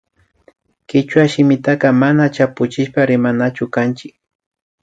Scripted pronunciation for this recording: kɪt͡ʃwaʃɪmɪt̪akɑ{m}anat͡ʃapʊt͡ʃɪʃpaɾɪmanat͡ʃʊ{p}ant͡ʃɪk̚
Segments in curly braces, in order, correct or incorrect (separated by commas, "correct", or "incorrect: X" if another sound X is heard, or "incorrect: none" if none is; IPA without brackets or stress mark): correct, incorrect: k